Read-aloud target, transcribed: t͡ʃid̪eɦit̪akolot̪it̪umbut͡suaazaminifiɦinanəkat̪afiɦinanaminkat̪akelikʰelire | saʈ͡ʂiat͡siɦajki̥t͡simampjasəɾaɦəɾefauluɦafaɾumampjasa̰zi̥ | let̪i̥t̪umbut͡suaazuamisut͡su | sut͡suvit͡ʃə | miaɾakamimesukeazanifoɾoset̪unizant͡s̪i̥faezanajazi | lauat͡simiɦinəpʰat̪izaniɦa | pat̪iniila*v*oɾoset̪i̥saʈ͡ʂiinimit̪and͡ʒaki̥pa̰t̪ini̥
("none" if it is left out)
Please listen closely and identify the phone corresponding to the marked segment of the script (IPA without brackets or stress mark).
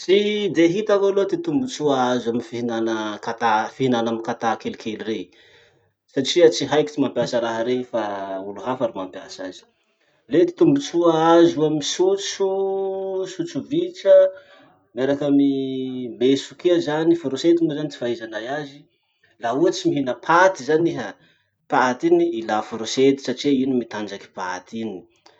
f